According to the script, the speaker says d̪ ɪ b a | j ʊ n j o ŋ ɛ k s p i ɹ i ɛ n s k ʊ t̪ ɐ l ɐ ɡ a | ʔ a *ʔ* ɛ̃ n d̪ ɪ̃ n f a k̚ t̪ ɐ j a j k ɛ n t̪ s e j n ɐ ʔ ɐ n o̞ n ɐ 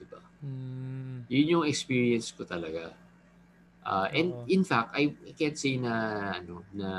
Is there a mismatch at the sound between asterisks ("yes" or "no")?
no